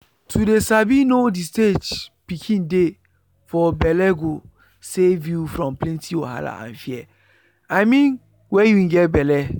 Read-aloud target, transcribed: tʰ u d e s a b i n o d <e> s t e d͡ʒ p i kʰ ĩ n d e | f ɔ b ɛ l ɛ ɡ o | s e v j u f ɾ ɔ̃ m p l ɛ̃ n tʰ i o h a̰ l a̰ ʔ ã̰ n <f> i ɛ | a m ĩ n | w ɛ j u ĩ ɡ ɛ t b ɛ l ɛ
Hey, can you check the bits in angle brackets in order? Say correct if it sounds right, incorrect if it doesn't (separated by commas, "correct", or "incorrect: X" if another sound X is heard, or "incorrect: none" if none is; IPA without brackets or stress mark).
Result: incorrect: i, correct